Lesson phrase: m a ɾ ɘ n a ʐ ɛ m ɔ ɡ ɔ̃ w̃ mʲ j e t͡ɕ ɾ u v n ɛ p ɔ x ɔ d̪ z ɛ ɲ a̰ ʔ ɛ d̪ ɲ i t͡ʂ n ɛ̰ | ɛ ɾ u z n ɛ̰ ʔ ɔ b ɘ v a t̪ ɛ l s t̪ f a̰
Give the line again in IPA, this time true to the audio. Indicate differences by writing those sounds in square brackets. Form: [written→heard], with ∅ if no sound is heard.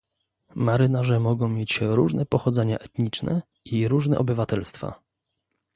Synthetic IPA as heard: m a ɾ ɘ n a ʐ ɛ m ɔ ɡ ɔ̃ w̃ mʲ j e t͡ɕ ɾ u [v→ʐ] n ɛ p ɔ x ɔ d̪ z ɛ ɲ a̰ ʔ ɛ [d̪→t̪] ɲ i t͡ʂ n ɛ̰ | [ɛ→i] ɾ u [z→ʐ] n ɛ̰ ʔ ɔ b ɘ v a t̪ ɛ l s t̪ f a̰